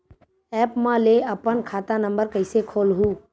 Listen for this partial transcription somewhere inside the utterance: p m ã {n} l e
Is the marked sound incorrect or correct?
incorrect